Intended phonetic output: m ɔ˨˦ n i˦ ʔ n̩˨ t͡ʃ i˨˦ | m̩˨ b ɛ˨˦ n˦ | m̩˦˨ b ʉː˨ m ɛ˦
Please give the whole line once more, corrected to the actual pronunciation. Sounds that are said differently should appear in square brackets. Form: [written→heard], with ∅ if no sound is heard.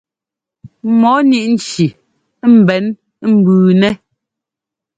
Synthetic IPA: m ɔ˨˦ n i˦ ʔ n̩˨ t͡ʃ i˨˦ | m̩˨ b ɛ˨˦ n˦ | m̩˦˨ b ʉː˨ [m→n] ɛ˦